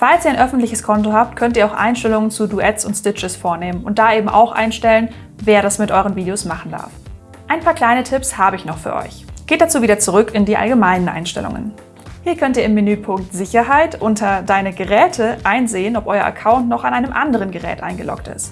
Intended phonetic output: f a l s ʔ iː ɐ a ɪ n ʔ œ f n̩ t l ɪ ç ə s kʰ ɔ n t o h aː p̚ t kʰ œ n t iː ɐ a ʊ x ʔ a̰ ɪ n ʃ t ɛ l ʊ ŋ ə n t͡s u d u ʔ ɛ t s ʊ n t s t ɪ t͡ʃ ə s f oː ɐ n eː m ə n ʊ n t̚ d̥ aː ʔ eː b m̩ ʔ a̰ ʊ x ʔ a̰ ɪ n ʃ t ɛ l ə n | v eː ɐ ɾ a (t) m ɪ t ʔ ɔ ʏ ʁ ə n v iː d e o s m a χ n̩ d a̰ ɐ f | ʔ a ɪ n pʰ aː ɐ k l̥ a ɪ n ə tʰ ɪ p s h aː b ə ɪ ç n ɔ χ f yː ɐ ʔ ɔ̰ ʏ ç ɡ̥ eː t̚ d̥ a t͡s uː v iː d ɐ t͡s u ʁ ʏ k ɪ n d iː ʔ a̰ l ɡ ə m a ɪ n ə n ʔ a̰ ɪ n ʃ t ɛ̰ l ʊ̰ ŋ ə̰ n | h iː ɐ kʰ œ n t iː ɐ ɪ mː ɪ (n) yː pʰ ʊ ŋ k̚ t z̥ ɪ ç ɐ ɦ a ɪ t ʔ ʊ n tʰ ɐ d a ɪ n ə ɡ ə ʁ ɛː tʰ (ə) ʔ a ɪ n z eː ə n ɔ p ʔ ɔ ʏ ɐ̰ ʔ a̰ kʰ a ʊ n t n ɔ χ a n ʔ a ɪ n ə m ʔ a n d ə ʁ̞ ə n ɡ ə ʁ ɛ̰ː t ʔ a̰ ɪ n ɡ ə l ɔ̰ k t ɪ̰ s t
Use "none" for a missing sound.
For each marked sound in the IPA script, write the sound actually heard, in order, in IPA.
s, n, ə

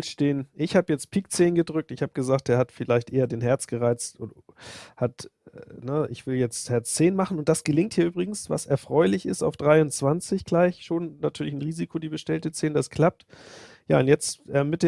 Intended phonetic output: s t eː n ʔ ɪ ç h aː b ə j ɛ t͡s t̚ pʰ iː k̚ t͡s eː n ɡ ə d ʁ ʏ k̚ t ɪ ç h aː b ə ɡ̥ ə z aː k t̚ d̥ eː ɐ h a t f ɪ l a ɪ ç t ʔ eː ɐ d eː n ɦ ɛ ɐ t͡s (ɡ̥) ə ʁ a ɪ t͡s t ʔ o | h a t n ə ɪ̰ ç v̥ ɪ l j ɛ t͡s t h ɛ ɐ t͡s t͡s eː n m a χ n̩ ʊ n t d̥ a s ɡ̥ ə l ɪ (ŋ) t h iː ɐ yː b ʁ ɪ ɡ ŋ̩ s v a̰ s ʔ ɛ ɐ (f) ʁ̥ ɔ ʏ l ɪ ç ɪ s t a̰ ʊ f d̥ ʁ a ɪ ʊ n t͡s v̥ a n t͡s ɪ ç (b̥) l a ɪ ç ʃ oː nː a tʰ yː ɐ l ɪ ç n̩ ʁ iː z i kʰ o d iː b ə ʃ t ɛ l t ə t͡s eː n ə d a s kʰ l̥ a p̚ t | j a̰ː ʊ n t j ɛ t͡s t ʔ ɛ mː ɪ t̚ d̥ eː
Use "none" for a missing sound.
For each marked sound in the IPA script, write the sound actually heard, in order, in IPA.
ɡ̥, ŋ, f, ɡ̥

